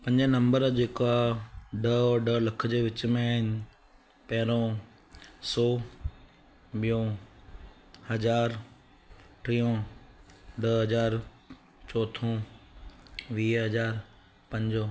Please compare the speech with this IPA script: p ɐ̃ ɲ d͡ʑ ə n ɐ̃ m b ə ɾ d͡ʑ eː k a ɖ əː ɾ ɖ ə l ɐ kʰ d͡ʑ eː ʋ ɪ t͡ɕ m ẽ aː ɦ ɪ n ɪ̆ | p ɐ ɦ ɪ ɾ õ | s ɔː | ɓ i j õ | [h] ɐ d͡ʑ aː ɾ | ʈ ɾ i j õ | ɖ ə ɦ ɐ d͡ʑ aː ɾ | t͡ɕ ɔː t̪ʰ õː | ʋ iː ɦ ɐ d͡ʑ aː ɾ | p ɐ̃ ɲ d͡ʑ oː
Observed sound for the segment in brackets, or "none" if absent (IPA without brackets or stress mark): h